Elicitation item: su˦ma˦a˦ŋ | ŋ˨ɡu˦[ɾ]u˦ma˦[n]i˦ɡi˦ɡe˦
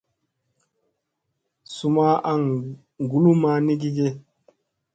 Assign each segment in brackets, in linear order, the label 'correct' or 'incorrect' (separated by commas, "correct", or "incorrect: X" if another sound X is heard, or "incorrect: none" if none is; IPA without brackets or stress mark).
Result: incorrect: l, correct